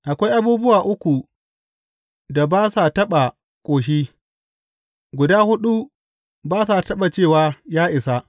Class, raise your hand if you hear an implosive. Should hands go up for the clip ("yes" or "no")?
yes